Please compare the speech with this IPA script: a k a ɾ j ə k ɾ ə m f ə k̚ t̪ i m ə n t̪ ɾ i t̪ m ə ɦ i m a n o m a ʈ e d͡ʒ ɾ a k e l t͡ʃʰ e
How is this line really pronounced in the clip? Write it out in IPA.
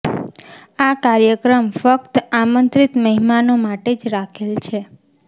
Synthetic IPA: a k a ɾ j ə k ɾ ə m f ə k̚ t̪ a m ə n t̪ ɾ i t̪ m ə ɦ i m a n o m a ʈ e d͡ʒ ɾ a kʰ e l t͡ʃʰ e